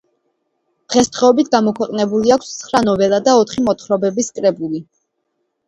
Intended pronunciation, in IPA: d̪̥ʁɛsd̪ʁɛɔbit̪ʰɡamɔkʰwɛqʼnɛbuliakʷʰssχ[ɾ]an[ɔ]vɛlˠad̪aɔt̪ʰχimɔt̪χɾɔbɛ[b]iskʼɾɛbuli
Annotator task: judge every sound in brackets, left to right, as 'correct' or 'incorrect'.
correct, correct, correct

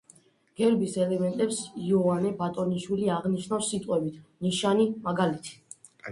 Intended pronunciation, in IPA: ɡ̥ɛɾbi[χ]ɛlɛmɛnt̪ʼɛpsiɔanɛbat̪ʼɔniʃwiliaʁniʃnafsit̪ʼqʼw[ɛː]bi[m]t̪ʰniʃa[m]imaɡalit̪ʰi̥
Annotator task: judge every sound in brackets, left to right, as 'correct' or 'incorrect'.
incorrect: s, incorrect: ɛ, incorrect: none, incorrect: n

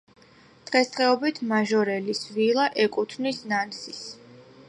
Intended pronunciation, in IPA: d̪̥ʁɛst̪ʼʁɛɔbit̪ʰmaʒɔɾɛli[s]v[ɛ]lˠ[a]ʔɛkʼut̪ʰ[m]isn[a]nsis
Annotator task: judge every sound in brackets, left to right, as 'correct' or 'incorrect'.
correct, incorrect: i, correct, incorrect: n, correct

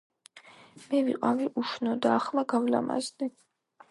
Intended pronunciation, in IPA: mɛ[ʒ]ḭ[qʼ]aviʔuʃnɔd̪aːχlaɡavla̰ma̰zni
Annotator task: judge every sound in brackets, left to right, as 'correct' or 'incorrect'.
incorrect: v, correct

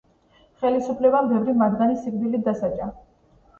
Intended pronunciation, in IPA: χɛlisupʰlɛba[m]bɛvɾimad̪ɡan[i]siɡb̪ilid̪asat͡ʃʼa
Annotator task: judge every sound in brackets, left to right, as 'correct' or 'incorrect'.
correct, correct

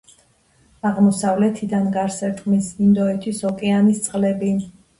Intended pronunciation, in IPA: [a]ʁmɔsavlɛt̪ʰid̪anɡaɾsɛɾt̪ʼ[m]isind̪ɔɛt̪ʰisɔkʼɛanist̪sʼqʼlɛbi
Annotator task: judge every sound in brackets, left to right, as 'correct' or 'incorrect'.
correct, correct

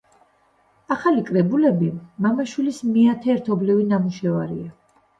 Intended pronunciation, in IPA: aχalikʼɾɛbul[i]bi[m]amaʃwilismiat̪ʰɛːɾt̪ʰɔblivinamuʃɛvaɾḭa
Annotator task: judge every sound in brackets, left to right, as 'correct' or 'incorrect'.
incorrect: ɛ, correct

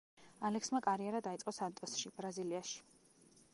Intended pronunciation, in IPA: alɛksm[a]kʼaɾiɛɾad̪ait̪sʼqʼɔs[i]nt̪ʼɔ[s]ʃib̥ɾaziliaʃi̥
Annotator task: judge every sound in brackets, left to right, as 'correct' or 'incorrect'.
correct, incorrect: a, correct

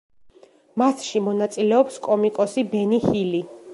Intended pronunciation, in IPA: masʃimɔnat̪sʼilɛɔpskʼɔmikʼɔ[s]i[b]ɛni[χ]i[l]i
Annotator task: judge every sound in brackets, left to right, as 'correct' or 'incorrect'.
correct, correct, incorrect: h, correct

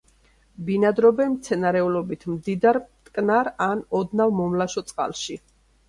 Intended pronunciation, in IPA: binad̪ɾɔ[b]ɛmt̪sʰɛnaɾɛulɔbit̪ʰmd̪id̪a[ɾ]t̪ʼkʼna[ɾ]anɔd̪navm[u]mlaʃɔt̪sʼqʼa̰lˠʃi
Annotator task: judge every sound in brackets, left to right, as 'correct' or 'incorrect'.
correct, correct, correct, incorrect: ɔ

